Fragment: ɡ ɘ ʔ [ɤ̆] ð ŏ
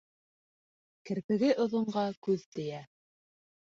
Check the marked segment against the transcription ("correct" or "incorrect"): incorrect